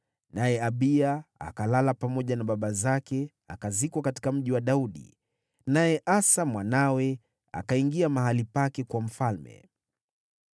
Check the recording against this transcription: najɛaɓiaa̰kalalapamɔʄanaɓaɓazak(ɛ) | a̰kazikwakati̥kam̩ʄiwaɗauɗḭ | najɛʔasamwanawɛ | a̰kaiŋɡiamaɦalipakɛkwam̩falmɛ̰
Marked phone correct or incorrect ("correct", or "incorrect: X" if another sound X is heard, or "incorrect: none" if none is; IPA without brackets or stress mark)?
correct